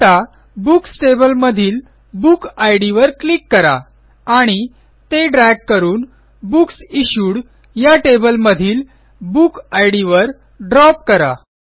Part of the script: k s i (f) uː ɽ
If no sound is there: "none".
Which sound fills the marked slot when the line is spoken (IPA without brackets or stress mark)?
ɕ